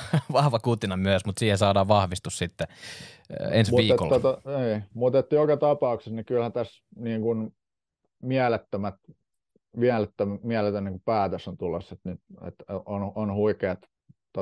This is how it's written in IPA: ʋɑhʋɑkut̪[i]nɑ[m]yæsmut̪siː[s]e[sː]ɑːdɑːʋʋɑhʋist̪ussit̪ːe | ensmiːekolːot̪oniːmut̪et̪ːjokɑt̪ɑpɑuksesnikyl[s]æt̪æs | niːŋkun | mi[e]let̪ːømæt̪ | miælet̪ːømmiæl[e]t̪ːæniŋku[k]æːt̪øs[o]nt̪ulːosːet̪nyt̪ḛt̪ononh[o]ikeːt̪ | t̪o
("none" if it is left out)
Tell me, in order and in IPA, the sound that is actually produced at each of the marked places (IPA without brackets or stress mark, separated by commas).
i, m, h, s, h, æ, e, p, o, u